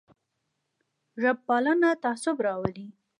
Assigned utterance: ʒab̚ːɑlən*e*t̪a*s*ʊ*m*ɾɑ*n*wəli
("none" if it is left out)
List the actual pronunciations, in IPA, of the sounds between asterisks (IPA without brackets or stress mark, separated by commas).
a, s, b, none